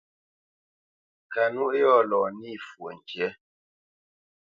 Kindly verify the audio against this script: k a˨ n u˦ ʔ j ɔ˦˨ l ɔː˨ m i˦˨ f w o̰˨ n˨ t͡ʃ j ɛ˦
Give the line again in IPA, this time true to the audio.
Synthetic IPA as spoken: k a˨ n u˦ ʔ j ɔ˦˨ l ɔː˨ n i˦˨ f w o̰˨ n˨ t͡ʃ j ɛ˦